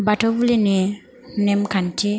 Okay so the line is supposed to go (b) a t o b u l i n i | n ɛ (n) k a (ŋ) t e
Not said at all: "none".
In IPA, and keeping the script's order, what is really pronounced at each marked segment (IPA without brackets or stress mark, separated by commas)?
b, m, n